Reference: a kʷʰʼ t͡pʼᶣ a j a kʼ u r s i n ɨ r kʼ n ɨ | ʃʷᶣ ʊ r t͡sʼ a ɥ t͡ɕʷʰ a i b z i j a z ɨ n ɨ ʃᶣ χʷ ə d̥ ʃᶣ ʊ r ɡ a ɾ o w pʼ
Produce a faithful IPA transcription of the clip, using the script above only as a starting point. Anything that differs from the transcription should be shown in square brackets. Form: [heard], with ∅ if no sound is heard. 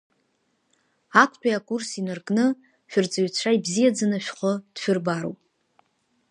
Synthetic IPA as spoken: a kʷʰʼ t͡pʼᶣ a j a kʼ u r s i n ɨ r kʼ n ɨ | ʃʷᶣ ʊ r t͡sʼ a ɥ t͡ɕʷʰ a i b z i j a [d͡z] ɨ n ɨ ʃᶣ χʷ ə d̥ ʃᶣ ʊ r [b] a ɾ o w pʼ